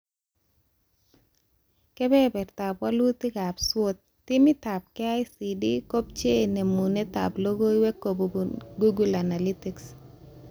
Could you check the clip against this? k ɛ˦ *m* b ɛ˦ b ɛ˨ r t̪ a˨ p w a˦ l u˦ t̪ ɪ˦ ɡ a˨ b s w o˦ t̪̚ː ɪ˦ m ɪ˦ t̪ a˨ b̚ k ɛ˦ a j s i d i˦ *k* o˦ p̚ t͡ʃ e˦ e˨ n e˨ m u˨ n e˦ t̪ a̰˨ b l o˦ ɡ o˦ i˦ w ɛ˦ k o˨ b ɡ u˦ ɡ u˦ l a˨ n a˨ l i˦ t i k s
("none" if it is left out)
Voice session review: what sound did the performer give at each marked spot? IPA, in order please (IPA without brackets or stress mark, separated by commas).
none, k